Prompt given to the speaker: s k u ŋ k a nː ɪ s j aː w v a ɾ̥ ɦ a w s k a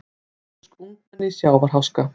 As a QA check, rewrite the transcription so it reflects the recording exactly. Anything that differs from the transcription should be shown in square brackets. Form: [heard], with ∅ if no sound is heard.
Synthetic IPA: s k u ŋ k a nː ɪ s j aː w v a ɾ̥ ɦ a w s k a